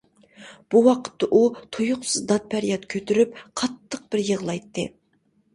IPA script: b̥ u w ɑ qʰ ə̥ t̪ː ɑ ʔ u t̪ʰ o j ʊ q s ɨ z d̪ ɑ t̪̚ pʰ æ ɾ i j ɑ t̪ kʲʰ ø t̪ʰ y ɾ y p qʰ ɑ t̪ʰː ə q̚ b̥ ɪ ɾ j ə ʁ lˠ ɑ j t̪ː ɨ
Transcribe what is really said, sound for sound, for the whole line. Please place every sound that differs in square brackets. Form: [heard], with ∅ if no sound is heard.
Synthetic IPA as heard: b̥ u w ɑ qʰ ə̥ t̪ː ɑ ʔ u t̪ʰ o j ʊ q s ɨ z d̪ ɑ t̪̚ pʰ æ ɾ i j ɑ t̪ kʲʰ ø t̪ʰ y ɾ y p qʰ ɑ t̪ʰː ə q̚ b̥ ɪ ɾ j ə ʁ lˠ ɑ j t̪ː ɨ